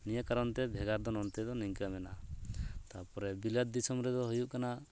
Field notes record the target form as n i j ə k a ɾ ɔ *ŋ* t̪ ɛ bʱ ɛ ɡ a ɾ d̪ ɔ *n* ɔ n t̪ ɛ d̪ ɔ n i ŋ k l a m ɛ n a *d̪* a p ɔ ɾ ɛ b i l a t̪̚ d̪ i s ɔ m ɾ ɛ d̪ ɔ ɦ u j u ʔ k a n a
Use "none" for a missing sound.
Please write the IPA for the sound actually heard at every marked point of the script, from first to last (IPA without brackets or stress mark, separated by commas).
n, n, t̪